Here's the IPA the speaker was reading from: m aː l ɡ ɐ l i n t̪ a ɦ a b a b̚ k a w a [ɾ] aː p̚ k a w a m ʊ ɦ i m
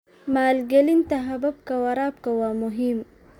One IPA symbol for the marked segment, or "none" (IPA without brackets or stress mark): ɾ